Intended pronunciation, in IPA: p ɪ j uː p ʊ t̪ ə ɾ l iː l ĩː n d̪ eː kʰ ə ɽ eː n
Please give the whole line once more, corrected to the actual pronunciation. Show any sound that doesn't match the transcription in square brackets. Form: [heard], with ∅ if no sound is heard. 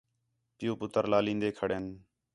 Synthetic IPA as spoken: p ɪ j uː p ʊ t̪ ə ɾ l [aː] l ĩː n d̪ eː kʰ ə ɽ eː n